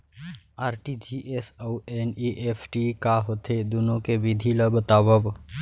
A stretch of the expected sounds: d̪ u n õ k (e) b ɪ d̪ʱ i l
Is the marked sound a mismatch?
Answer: no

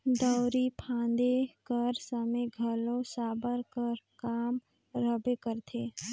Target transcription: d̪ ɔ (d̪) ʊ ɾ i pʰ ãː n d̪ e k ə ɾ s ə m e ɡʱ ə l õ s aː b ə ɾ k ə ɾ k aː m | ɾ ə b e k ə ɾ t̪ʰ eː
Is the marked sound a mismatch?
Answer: yes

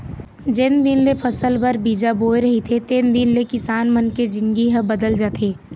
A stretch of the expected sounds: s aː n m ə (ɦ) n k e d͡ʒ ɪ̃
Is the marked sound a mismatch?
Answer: yes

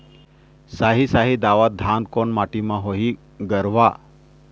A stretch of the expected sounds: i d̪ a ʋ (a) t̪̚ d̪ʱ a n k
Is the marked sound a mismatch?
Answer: no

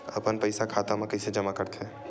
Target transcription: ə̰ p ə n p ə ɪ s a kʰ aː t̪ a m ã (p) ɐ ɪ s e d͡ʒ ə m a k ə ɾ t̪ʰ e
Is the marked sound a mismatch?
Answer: yes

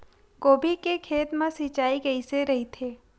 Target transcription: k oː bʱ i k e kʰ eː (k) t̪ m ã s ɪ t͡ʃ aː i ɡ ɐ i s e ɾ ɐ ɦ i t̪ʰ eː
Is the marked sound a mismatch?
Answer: yes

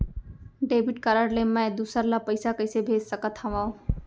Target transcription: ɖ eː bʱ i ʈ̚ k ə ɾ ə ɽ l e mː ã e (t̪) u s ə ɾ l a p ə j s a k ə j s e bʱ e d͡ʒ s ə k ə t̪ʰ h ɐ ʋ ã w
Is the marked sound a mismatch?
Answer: yes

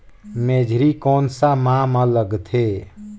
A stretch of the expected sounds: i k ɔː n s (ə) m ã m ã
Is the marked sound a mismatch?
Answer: yes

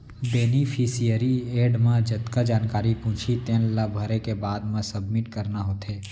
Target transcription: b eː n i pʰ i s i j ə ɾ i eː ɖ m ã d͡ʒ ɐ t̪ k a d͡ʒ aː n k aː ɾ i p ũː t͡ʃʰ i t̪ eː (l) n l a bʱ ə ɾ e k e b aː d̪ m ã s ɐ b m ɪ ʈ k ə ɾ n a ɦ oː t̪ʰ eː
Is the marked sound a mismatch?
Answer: yes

